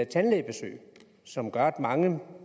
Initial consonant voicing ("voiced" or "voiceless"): voiceless